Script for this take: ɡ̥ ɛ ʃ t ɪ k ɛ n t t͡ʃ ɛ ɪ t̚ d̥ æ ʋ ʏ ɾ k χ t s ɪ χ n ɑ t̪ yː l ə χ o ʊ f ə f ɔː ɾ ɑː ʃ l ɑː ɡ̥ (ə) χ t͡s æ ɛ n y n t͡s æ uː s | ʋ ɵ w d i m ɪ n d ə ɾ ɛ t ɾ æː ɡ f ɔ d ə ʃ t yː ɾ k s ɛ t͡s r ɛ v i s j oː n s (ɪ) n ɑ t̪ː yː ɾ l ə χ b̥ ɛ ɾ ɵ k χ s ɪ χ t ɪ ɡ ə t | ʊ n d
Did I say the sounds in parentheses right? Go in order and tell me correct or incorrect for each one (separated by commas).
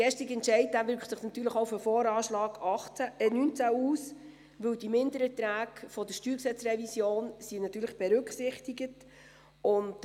incorrect, incorrect